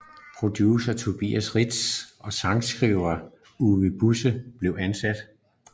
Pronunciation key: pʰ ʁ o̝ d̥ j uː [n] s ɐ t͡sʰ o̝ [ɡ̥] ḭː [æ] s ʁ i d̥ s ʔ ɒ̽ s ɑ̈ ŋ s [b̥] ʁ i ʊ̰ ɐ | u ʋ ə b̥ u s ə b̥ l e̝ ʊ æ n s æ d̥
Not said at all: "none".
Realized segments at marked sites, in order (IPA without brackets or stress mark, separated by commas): none, b̥, æ, ɡ̥